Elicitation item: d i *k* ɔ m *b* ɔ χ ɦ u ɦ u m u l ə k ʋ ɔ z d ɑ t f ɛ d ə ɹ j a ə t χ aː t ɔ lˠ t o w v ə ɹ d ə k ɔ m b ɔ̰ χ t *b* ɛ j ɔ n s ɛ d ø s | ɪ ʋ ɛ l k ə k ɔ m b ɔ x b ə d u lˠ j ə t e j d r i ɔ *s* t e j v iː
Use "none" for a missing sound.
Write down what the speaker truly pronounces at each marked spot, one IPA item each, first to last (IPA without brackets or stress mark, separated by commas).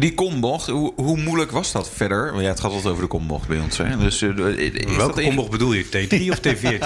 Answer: k, b, b, f